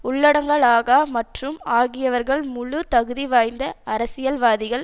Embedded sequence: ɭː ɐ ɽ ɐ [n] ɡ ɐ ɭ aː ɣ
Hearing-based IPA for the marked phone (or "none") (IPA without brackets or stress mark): ŋ